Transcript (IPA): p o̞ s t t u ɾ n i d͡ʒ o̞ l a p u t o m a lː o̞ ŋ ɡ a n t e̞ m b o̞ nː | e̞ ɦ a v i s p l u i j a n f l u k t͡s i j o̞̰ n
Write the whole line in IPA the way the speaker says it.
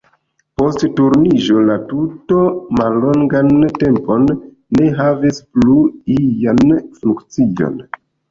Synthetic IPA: p o̞ s t t u ɾ n i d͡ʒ o̞ l a t u t o m a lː o̞ ŋ ɡ a n t e̞ m p o̞ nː | e̞ ɦ a v i s p l u i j a n f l u k t͡s i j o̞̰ n